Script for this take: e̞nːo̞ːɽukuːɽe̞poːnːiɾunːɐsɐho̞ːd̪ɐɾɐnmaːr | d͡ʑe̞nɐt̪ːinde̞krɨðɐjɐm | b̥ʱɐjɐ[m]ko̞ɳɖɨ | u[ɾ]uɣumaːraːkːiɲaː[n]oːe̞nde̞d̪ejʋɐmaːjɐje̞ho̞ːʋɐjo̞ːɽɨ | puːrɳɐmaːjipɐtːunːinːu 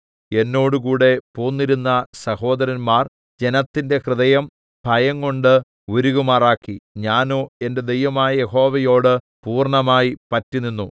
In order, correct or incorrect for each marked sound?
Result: incorrect, correct, correct

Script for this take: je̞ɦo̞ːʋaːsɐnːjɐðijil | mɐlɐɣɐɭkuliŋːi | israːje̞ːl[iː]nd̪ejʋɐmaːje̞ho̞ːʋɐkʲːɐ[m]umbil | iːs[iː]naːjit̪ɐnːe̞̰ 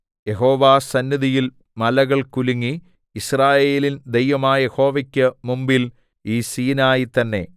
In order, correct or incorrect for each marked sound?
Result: incorrect, correct, correct

